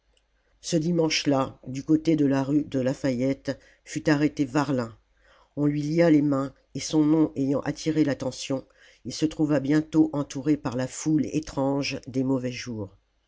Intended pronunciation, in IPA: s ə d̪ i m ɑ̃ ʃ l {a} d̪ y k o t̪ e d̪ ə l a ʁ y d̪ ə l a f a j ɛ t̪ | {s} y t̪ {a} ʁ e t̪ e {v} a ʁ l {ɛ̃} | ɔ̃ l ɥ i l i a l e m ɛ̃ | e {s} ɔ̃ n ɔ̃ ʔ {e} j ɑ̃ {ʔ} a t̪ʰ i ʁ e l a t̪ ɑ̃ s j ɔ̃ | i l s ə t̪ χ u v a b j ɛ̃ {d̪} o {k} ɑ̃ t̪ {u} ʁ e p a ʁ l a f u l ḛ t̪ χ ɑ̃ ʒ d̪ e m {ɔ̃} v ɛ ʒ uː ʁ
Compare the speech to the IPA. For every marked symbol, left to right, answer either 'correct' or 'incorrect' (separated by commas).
correct, incorrect, correct, correct, correct, correct, correct, correct, incorrect, incorrect, correct, incorrect